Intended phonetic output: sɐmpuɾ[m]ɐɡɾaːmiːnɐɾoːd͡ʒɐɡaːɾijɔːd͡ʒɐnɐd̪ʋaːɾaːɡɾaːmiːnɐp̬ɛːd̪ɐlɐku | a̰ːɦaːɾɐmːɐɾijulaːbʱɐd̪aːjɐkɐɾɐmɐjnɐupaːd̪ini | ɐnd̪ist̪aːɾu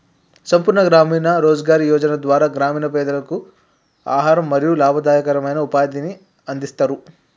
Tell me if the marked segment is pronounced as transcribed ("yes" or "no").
no